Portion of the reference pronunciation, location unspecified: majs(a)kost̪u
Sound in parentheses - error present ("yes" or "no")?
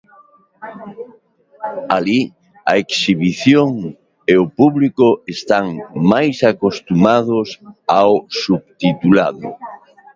no